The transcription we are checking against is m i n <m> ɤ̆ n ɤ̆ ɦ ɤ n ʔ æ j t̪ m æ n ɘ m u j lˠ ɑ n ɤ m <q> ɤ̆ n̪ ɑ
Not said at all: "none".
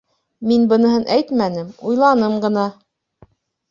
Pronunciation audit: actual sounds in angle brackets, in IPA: b, ɢ

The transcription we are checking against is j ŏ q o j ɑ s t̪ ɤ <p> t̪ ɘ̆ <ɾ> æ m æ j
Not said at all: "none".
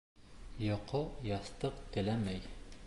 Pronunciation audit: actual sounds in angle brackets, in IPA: q, l

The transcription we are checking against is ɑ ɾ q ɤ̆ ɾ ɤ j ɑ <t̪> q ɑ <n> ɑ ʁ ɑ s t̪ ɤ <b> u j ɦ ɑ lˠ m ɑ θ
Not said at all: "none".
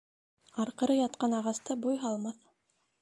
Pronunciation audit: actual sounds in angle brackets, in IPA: t̪, n, b

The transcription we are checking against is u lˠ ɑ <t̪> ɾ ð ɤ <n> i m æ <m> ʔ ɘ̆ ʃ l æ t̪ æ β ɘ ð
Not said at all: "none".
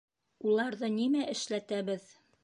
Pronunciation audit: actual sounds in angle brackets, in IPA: none, n, none

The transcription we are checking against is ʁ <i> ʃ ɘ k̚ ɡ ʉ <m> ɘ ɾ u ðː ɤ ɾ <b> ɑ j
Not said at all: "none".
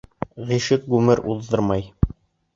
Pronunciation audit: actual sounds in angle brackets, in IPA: i, m, m

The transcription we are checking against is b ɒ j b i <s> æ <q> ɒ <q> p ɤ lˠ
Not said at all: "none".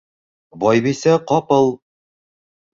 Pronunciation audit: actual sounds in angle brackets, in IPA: s, q, none

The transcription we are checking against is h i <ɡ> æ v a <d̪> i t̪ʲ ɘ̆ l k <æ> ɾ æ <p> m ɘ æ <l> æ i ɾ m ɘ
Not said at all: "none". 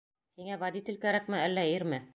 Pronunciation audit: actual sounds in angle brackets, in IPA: ŋ, d̪, æ, k, lː

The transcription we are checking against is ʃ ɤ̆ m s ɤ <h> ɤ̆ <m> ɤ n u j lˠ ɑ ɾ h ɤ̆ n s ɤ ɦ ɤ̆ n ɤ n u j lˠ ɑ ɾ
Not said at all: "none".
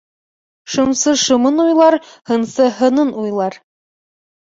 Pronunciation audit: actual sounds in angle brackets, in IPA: ʃ, m

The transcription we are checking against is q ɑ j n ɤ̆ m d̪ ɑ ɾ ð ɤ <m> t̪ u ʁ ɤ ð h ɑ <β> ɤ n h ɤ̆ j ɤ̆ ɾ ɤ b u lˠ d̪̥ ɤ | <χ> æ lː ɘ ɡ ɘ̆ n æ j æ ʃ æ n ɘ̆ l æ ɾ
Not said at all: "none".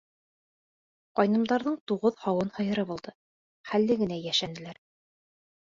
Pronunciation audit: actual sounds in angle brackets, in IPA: ɴ, w, χ

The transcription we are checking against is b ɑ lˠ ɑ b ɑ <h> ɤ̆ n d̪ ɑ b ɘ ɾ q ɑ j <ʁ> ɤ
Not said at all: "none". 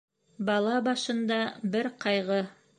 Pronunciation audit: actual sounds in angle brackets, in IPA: ʃ, ʁ

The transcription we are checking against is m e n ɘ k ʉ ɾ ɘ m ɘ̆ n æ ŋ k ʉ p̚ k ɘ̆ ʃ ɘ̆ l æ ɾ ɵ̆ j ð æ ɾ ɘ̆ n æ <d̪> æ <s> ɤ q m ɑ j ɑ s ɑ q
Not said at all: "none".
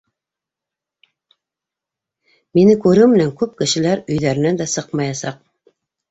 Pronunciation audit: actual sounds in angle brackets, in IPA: d̪, s

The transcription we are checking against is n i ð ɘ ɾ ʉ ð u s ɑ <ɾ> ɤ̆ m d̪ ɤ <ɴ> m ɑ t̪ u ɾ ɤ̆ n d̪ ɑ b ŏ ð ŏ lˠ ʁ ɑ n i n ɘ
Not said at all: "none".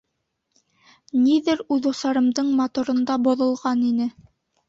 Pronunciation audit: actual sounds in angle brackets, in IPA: ɾ, ɴ

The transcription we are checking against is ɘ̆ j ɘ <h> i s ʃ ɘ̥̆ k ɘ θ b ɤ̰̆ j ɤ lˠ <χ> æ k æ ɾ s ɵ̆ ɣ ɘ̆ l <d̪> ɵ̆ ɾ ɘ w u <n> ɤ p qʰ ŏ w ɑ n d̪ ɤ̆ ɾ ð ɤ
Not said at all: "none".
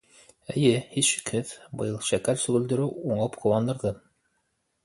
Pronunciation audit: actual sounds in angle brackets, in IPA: h, ʃ, d̪, ɴ

